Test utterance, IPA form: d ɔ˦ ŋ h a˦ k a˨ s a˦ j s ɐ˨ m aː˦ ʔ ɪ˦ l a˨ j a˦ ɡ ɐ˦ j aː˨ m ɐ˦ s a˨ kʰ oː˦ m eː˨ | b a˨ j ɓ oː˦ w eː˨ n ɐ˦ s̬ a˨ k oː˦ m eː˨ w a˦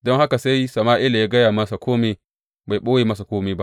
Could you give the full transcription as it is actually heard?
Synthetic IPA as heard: d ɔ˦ ŋ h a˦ k a˨ s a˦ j s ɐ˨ m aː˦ ʔ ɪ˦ l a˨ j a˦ ɡ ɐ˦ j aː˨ m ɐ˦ s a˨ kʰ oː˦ m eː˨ | b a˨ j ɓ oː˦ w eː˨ m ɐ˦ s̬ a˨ k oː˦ m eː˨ b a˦